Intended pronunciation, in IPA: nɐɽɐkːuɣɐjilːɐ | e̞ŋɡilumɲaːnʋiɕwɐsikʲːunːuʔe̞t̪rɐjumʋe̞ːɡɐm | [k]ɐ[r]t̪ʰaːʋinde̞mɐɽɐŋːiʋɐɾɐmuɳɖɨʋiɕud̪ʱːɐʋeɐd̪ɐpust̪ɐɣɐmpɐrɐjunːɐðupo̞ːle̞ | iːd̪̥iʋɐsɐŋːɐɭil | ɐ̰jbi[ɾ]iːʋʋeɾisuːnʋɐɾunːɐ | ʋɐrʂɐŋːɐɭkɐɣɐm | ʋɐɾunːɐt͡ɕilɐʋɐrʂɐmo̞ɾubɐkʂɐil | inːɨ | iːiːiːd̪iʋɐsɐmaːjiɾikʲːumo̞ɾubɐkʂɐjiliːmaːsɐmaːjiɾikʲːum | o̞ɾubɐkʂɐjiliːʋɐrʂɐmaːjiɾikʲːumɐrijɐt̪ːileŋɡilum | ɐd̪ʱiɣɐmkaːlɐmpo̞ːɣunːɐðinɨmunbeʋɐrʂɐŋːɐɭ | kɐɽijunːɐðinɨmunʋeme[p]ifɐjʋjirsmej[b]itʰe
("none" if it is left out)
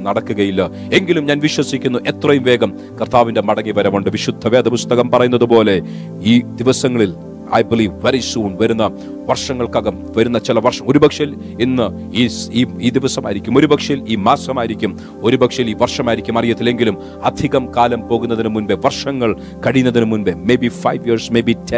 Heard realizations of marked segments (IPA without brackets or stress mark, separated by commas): k, r, l, b, b